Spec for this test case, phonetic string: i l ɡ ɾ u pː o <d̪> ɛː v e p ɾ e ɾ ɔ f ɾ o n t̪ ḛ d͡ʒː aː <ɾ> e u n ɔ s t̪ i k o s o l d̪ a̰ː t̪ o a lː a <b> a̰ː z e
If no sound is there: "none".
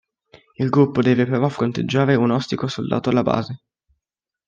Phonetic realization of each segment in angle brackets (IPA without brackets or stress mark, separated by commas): d̪, ɾ, b